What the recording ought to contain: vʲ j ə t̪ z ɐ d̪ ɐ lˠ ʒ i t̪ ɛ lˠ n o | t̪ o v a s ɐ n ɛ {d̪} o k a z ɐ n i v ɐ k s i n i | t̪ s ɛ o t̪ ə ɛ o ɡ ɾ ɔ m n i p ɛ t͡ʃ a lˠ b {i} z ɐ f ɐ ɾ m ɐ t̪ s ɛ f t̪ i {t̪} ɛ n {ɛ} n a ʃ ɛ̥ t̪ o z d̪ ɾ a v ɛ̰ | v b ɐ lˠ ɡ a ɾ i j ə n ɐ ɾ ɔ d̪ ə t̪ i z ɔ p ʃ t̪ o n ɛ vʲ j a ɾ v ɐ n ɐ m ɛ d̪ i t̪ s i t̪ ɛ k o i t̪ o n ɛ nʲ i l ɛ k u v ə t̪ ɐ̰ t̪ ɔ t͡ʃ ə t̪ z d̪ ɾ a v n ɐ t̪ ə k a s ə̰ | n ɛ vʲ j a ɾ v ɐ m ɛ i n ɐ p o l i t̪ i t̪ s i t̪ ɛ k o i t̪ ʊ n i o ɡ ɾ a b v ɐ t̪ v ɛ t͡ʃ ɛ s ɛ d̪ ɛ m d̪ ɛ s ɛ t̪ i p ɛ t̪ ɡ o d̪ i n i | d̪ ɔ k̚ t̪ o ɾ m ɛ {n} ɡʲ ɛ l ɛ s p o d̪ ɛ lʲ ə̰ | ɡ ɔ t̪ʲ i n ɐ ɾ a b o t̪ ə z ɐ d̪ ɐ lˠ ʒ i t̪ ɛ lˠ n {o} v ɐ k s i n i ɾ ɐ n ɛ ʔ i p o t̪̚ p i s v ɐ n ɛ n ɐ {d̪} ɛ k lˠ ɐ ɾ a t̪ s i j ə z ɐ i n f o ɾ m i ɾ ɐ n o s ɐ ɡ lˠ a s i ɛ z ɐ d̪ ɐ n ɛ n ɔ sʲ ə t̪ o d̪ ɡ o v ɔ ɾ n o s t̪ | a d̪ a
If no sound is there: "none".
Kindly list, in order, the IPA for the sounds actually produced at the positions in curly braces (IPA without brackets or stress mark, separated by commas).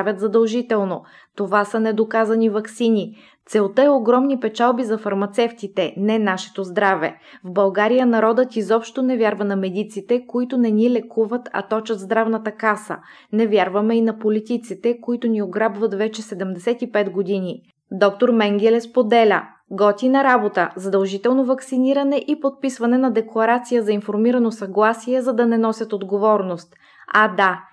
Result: d̪, i, t̪, ɛ, ŋ, o, d̪